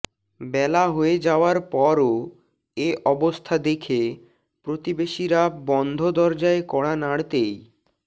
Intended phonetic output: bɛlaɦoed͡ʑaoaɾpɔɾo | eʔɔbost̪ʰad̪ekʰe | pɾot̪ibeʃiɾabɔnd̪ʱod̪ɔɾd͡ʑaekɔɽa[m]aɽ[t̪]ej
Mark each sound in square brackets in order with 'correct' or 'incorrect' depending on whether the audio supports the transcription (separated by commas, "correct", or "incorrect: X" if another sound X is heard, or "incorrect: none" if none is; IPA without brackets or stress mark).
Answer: incorrect: n, correct